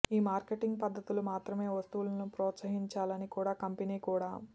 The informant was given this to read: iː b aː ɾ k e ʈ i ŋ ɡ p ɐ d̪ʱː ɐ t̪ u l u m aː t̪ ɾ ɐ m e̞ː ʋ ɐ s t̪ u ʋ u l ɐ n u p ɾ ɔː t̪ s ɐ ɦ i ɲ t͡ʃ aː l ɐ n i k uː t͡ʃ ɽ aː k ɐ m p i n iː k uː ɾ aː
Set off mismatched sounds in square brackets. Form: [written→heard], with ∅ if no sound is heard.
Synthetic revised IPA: iː [b→m] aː ɾ k e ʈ i ŋ ɡ p ɐ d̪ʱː ɐ t̪ u l u m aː t̪ ɾ ɐ m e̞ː ʋ ɐ s t̪ u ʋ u l ɐ n u p ɾ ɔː t̪ s ɐ ɦ i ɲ t͡ʃ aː l ɐ n i k uː [t͡ʃ→∅] ɽ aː k ɐ m p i n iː k uː [ɾ→ɽ] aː